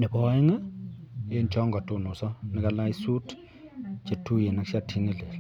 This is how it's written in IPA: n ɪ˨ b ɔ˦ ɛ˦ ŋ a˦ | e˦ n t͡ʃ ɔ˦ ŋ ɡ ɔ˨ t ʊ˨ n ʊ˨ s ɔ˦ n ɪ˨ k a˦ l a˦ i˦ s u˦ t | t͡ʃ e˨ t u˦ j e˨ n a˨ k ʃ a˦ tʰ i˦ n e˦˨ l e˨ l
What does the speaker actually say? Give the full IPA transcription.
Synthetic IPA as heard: n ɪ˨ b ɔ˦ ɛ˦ ŋ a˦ | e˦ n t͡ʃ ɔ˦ ŋ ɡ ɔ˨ t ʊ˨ n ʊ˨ s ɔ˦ n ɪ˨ k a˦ l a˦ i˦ s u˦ t | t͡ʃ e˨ t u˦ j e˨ n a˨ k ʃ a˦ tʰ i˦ ŋ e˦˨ l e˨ l